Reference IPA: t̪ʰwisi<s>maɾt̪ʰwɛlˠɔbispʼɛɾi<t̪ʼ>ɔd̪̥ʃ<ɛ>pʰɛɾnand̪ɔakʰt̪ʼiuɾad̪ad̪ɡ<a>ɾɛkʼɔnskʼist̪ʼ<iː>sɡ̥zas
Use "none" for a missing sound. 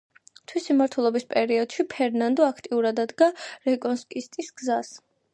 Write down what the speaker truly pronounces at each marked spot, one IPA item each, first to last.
none, none, i, a, i

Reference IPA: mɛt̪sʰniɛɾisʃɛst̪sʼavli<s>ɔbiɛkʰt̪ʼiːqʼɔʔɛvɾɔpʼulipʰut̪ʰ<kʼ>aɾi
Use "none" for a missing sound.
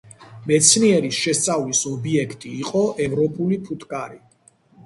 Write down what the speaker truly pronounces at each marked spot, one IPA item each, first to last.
s, kʼ

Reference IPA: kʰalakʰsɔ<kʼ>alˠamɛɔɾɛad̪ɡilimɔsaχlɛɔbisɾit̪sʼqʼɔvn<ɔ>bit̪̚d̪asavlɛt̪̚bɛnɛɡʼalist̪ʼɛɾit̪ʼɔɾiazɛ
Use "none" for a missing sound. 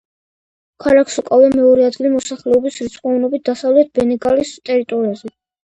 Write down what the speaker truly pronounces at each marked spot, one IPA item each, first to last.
kʼ, ɔ

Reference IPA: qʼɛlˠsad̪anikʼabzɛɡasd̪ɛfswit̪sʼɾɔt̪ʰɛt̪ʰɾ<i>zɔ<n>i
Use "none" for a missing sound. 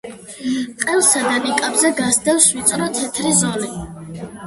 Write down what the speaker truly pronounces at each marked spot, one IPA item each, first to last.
i, n

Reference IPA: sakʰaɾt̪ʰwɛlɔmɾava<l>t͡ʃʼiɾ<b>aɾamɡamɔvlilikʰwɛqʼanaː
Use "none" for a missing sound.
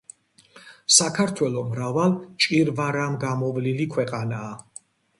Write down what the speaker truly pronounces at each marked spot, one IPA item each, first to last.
l, v

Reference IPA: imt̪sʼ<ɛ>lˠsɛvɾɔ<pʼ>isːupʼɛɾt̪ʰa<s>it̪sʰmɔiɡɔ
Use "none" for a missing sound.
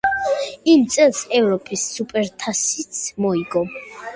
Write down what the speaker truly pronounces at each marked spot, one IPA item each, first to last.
ɛ, pʼ, s

